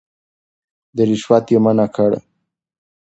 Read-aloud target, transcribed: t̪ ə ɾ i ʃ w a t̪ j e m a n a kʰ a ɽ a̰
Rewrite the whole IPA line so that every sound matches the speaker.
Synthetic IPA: d̪ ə ɾ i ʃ w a t̪ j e m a n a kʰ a ɽ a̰